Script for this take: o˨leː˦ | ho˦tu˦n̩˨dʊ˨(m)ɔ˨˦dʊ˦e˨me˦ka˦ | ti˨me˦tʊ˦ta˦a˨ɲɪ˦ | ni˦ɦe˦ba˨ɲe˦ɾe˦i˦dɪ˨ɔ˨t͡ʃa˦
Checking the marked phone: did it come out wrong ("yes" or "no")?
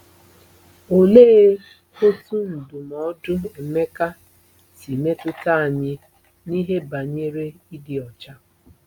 no